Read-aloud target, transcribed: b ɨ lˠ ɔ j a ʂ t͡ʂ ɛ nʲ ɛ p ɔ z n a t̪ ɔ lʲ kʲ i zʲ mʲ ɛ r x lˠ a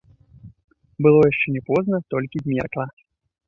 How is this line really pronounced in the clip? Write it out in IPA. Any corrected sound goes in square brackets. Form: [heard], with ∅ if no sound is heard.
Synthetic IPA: b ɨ lˠ ɔ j a ʂ t͡ʂ ɛ nʲ ɛ p ɔ z n [ɐ] t̪ ɔ lʲ kʲ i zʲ mʲ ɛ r [k] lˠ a